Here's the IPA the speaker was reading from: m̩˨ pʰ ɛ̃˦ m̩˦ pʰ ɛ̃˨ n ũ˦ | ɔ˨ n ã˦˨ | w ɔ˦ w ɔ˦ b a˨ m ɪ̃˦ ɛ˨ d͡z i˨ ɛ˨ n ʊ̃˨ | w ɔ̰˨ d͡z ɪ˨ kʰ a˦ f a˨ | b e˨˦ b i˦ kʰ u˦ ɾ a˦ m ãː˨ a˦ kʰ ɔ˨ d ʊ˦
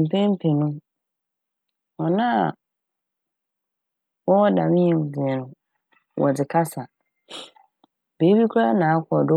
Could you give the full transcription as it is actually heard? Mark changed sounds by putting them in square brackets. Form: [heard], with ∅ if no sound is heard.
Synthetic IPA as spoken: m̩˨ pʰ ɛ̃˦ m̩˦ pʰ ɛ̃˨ n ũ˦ | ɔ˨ n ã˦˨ | w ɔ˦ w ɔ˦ [d] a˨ m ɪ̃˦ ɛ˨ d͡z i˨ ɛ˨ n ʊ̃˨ | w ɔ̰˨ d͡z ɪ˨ kʰ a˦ [s] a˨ | b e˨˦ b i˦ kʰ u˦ ɾ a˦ [n] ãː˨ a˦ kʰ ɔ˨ d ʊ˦